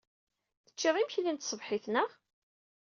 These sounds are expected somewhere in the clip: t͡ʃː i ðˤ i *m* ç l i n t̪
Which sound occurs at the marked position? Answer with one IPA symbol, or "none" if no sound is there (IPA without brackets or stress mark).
m